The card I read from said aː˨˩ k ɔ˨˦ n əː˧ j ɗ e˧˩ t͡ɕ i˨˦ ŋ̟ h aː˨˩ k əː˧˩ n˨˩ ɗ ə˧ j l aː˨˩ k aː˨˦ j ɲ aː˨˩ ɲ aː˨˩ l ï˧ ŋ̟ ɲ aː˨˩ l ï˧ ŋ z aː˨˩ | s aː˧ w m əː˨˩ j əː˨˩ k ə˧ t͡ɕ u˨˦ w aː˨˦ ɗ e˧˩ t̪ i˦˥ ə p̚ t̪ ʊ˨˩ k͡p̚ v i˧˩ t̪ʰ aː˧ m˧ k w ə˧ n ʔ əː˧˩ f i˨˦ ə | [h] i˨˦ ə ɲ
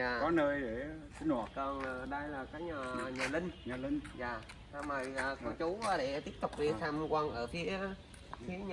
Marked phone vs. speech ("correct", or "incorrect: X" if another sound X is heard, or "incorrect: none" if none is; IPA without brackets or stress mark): incorrect: f